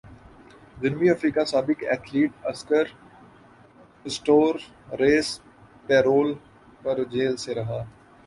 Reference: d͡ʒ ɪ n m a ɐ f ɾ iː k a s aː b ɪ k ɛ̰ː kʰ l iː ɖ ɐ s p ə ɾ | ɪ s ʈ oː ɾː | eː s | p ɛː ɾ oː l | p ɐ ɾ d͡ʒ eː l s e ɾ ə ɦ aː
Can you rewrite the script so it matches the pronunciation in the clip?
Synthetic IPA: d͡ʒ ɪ n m i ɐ f ɾ iː k a s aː b ɪ k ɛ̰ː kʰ l iː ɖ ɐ s k ə ɾ | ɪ s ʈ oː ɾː | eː s | p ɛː ɾ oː l | p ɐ ɾ d͡ʒ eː l s e ɾ ɐ ɦ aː